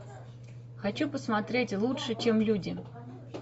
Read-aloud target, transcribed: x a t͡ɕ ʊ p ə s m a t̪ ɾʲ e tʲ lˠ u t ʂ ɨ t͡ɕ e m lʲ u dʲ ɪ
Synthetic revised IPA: x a t͡ɕ u p ə s m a t̪ ɾʲ e tʲ lˠ u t ʂ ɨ t͡ɕ e m lʲ u dʲ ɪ